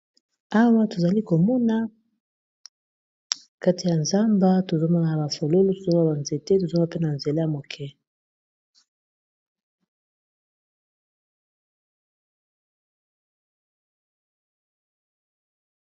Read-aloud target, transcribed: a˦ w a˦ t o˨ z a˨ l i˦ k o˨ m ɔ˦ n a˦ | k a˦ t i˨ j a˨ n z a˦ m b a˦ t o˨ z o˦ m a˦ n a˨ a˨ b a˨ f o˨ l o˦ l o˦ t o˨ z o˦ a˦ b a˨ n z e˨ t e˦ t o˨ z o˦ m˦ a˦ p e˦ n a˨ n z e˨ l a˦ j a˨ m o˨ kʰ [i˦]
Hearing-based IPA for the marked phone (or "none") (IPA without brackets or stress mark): ɛ˦